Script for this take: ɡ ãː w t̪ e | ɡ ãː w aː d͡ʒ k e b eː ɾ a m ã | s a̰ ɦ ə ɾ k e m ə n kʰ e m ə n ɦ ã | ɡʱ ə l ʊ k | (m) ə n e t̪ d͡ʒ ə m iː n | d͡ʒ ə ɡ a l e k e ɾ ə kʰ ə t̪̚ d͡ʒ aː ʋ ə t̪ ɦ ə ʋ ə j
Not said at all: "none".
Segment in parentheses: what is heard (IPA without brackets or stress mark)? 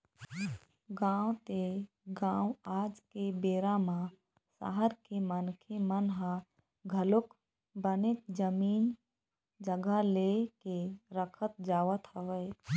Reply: b